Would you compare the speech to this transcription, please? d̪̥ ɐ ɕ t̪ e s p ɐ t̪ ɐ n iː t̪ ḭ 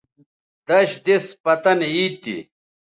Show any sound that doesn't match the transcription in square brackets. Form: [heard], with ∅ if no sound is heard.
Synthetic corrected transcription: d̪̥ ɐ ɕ [d̪] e s p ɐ t̪ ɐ n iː t̪ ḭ